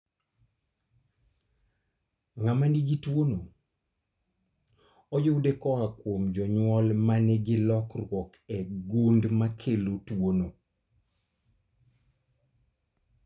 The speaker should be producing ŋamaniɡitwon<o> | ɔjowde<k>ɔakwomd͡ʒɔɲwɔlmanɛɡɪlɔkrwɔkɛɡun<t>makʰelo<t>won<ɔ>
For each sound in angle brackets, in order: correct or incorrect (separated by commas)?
correct, correct, incorrect, correct, incorrect